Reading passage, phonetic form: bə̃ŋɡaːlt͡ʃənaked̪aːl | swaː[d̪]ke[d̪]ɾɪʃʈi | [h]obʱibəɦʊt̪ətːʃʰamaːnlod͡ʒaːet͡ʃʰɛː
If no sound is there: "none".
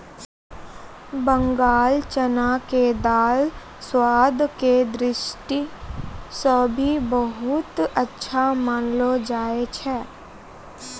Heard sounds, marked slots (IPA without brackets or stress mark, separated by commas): d̪, d̪, s